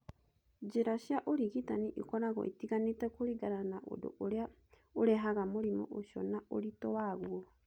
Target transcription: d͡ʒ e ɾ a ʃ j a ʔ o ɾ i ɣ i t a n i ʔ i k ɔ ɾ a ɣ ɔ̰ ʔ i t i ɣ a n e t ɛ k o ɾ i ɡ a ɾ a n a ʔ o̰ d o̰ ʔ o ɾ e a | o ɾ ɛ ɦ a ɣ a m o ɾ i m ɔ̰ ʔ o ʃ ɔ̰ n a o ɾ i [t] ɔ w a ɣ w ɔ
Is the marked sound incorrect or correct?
correct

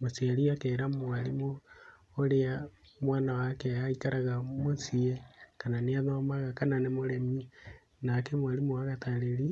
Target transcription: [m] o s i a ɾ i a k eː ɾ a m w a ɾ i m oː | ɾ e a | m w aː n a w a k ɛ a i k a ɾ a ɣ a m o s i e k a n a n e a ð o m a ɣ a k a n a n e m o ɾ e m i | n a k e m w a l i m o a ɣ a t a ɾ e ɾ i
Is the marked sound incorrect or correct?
correct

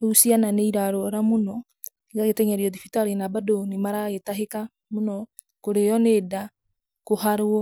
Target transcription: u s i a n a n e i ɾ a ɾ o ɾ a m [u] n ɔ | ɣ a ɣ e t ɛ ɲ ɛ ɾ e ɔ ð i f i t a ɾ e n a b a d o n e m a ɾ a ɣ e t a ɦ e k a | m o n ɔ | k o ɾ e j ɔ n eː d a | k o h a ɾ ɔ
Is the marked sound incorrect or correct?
incorrect: o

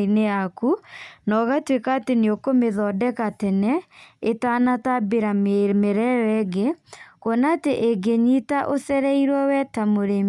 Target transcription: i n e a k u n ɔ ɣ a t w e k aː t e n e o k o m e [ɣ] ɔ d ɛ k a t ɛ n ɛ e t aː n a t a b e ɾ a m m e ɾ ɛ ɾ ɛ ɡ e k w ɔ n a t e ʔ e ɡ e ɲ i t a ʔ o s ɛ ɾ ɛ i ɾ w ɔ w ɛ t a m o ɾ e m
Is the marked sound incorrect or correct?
incorrect: ð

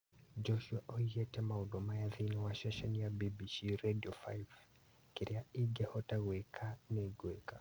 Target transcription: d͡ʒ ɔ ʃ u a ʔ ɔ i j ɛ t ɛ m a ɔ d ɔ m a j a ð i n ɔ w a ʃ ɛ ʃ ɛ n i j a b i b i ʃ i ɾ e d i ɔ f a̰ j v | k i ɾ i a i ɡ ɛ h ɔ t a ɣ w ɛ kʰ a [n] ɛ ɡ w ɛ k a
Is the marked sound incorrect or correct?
correct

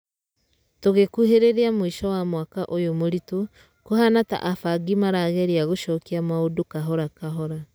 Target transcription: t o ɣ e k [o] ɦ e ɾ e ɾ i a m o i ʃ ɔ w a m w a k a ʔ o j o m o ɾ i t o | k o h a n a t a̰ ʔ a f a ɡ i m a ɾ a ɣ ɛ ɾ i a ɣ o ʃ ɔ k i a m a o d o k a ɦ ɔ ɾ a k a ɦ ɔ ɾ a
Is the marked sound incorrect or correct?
incorrect: u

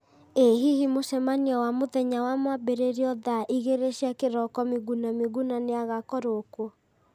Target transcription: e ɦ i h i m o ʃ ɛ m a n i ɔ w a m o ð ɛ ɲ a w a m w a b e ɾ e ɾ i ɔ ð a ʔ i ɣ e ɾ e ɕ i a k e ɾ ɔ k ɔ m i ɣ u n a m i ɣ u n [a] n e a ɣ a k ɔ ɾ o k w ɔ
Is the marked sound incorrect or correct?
correct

